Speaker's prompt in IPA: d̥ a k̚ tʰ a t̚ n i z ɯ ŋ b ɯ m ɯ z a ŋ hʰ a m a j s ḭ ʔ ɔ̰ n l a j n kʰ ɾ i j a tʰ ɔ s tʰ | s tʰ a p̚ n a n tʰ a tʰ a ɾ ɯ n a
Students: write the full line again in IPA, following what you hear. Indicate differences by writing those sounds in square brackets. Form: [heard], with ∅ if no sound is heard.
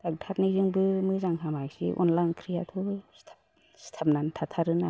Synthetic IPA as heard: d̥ a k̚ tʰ a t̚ n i z ɯ ŋ b ɯ m ɯ z a ŋ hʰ a m a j s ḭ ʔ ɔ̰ n l a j n kʰ ɾ i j a tʰ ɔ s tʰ | s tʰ a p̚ n a n tʰ a tʰ a ɾ ɯ n a